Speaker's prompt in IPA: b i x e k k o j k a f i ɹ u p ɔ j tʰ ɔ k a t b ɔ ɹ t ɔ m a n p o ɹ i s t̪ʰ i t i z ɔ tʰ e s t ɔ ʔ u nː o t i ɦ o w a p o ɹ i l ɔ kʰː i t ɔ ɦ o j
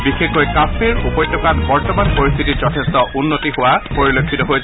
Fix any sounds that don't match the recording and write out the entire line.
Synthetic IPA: b i x e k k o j k a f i ɹ u p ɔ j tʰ ɔ k a t b ɔ ɹ t ɔ m a n p o ɹ i s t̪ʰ i t i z ɔ tʰ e s t ɔ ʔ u nː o t i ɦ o w a p o ɹ i l o kʰː i t ɔ ɦ o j